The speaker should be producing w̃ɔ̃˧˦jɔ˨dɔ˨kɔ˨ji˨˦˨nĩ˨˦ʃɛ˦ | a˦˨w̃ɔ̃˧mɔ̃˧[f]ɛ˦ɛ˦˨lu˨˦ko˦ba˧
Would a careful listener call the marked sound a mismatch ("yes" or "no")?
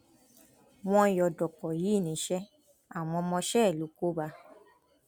yes